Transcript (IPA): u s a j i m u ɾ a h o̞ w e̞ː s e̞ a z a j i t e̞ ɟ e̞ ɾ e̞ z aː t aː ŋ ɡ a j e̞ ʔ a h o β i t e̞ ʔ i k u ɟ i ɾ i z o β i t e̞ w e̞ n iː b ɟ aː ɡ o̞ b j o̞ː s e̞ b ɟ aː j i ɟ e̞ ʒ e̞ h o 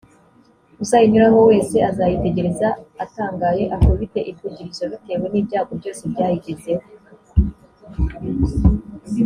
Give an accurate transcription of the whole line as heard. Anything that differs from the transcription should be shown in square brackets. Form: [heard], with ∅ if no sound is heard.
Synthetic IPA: u s a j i [ɲ] u ɾ a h o̞ w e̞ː s e̞ a z a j i t e̞ ɟ e̞ ɾ e̞ z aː t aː ŋ ɡ a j e̞ ʔ a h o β i t e̞ ʔ i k u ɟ i ɾ i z o β i t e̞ w e̞ n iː b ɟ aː ɡ o̞ b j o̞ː s e̞ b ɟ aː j i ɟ e̞ [z] e̞ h o